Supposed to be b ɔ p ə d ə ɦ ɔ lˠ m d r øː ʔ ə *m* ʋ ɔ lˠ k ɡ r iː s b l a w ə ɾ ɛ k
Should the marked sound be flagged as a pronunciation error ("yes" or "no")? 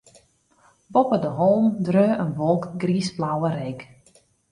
yes